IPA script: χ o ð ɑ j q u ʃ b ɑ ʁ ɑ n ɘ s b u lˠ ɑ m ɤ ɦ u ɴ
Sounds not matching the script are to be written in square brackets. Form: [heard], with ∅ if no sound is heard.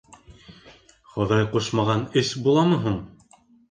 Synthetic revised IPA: χ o ð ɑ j q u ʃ [m] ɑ ʁ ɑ n ɘ s b u lˠ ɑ m ɤ ɦ u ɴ